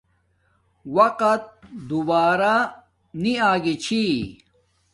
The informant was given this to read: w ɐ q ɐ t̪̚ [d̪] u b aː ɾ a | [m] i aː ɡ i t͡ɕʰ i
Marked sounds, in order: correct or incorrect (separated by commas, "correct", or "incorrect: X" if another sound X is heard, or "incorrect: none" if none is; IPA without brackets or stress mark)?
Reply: correct, incorrect: n